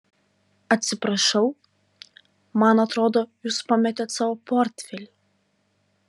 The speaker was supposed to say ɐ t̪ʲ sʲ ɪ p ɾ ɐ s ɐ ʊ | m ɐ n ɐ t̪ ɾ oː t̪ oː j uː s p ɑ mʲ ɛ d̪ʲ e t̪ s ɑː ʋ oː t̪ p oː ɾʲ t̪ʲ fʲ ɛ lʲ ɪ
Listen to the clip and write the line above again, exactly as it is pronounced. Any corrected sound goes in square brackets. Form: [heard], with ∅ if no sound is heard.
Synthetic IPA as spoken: ɐ t̪ʲ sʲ ɪ p ɾ ɐ [ʃ] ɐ ʊ | m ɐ n ɐ t̪ ɾ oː [d̪] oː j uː s p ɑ mʲ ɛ [t̪ʲ] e t̪ s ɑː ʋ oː [∅] p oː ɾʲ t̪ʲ fʲ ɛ lʲ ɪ